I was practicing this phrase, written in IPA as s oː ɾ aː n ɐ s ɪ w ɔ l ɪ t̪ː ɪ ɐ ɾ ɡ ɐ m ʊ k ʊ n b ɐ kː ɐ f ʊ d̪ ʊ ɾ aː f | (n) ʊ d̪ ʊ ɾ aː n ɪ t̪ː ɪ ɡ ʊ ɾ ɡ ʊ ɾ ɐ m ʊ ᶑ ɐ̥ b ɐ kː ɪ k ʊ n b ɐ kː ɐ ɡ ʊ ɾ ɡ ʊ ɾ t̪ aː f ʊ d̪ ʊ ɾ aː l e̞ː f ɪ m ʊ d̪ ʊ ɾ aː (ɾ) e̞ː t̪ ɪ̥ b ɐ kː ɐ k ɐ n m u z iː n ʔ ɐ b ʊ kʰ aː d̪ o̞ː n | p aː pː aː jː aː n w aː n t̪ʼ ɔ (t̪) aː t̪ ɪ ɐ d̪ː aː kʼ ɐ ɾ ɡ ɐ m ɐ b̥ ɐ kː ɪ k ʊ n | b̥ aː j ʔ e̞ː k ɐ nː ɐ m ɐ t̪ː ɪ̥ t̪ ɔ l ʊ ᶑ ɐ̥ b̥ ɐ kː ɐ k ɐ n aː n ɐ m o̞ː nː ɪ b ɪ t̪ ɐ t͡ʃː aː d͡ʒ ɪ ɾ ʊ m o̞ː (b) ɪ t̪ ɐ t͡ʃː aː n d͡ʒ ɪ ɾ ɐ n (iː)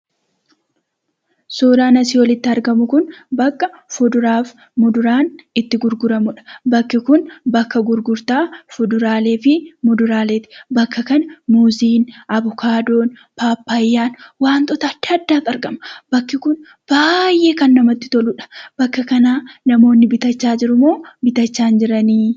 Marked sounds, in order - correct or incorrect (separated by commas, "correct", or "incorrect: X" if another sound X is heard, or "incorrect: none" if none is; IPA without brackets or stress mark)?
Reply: incorrect: m, incorrect: l, correct, correct, correct